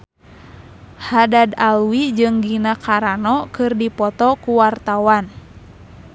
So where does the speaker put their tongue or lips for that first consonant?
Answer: throat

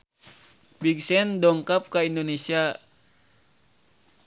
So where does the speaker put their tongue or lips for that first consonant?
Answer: lips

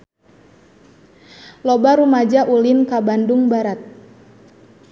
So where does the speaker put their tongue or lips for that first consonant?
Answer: tongue tip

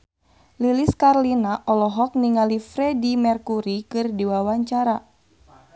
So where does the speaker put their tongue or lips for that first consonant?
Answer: tongue tip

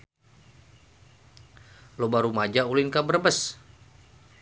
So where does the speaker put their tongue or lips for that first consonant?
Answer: tongue tip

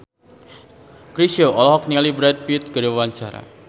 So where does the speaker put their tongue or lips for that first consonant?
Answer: velum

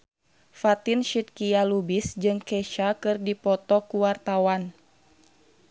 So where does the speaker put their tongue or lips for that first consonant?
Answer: lips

